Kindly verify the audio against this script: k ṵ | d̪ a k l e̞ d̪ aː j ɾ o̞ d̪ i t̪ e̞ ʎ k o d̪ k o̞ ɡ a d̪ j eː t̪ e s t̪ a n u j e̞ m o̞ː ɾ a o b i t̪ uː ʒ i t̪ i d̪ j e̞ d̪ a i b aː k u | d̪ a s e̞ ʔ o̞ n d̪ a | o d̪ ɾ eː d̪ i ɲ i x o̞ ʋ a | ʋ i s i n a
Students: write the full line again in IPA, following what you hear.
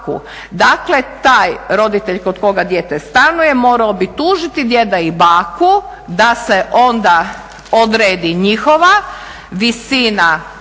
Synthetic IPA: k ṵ | d̪ a k l e̞ t̪ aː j ɾ o̞ d̪ i t̪ e̞ ʎ k o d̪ k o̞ ɡ a d̪ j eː t̪ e s t̪ a n u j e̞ m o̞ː ɾ a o b i t̪ uː ʒ i t̪ i d̪ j e̞ d̪ a i b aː k u | d̪ a s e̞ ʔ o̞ n d̪ a | o d̪ ɾ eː d̪ i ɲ i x o̞ ʋ a | ʋ i s i n a